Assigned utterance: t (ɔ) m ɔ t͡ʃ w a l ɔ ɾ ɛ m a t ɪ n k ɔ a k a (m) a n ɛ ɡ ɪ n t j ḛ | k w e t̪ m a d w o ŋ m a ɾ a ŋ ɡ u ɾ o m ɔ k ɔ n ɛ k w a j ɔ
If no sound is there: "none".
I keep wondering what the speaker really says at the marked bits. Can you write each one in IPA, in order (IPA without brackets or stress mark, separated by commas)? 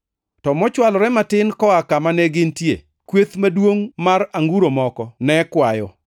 ɔ, m